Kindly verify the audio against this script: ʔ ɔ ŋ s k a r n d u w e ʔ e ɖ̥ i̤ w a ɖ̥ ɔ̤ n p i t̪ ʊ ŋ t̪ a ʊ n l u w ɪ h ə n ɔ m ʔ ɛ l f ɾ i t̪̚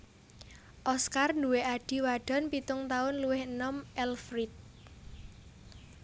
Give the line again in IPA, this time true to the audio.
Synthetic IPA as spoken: ʔ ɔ s k a r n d u w e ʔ a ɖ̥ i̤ w a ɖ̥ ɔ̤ n p i t̪ ʊ ŋ t̪ a ʊ n l u w ɪ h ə n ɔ m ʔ ɛ l f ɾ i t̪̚